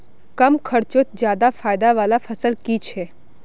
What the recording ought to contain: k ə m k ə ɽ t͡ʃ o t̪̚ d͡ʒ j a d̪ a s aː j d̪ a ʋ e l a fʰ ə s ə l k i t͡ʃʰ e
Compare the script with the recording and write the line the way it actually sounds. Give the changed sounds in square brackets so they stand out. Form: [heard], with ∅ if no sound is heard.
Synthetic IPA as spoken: k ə m [kʰ] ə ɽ t͡ʃ o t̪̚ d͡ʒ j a d̪ a [f] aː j d̪ a ʋ [a] l a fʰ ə s ə l k i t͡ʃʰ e